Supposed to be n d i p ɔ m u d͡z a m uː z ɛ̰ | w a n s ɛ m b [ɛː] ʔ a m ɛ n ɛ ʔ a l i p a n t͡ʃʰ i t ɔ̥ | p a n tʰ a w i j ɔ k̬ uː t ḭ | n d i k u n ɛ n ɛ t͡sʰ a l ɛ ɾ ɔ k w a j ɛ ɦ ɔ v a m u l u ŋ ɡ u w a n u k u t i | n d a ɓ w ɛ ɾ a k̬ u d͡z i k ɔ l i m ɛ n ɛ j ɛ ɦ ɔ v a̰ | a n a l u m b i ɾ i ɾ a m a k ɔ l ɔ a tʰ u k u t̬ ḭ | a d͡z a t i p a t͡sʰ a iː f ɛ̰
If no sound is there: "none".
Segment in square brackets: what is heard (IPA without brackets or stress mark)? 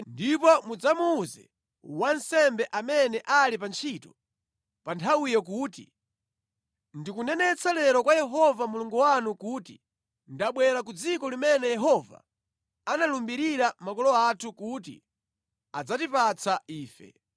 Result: ɛ